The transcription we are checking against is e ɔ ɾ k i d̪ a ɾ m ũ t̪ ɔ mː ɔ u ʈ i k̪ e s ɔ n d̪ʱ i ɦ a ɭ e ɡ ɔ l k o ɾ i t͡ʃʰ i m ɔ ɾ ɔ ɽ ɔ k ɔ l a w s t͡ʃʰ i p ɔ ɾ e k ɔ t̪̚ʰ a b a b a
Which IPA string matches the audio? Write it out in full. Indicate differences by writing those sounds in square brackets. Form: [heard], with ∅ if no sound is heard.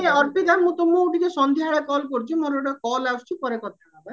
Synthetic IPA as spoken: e ɔ ɾ [p] i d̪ a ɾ m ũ t̪ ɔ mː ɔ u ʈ i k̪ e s ɔ n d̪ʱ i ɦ a ɭ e [k] ɔ l k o ɾ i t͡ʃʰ i m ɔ ɾ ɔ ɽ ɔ k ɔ l a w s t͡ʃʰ i p ɔ ɾ e k ɔ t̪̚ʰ a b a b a